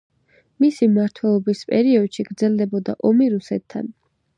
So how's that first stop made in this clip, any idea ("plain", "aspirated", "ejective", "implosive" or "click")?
aspirated